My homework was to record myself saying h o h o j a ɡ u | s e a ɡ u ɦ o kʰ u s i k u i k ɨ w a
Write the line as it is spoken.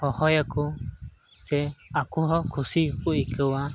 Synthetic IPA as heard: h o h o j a k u | s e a k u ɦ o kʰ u s i k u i k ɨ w a